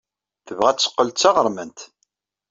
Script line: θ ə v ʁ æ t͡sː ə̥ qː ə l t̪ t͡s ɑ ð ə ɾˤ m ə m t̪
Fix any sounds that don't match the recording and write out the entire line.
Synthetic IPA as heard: θ ə v ʁ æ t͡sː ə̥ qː ə l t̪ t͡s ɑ ʁ ə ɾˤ m ə n t̪